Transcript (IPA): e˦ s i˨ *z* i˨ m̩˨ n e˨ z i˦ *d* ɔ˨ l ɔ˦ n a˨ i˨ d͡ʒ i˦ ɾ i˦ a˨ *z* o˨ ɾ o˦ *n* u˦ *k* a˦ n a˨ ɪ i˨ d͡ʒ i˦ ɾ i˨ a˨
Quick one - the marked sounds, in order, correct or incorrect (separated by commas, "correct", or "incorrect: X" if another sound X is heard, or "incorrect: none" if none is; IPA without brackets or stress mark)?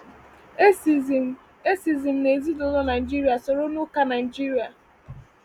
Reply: correct, correct, incorrect: s, correct, correct